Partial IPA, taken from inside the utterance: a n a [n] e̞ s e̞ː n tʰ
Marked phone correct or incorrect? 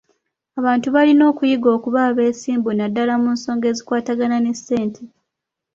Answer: correct